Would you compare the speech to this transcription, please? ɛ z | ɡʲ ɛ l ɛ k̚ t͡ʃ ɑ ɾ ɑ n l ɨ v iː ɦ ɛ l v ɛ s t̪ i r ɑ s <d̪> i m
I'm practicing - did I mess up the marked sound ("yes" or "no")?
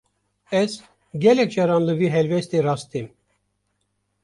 yes